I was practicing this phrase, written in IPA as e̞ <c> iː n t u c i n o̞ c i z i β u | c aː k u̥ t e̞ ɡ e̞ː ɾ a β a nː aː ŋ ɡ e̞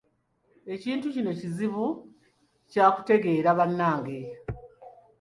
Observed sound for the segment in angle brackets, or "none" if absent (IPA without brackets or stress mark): c